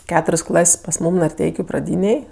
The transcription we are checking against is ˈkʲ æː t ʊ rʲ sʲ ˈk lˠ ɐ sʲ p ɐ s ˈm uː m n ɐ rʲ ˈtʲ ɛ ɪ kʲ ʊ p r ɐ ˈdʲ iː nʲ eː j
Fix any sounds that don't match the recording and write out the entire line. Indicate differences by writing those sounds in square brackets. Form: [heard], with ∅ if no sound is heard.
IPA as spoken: ˈkʲ æː t ʊ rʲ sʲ ˈk lˠ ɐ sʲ p ɐ s ˈm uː m n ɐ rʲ ˈtʲ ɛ ɪ kʲ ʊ p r ɐ ˈdʲ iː nʲ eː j